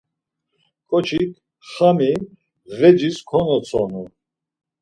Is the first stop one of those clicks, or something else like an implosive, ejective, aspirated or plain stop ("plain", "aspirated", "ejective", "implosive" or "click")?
ejective